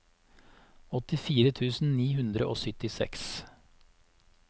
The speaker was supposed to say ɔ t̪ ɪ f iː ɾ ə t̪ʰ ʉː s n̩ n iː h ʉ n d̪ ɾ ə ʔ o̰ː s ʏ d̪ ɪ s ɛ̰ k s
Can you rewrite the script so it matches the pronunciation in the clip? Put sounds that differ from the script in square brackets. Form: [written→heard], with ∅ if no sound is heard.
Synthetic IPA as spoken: ɔ t̪ ɪ f iː ɾ ə t̪ʰ ʉː s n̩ n iː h ʉ n d̪ ɾ ə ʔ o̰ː s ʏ [d̪→t̪] ɪ s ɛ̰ k s